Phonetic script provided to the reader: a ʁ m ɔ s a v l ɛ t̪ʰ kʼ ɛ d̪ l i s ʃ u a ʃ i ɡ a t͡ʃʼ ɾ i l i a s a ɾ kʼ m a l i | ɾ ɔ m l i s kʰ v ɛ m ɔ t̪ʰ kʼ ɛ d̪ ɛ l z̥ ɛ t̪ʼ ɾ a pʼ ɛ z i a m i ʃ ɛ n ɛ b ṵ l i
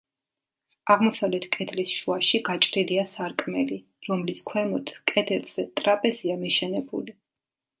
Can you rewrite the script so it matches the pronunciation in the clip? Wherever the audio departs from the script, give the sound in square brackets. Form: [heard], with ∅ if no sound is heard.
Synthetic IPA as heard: a ʁ m ɔ s a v l ɛ t̪ʰ kʼ ɛ d̪ l i s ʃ u a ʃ i ɡ a t͡ʃʼ ɾ i l i a s a ɾ kʼ m [ɛ] l i | ɾ ɔ m l i s kʰ [w] ɛ m ɔ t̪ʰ kʼ ɛ d̪ ɛ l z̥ ɛ t̪ʼ ɾ a pʼ ɛ z i a m i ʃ ɛ n ɛ b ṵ l i